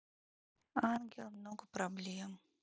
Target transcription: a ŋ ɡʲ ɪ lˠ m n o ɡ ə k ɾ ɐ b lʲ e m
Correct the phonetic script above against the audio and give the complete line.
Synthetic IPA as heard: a n ɡʲ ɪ lˠ m n o ɡ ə p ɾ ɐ b lʲ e m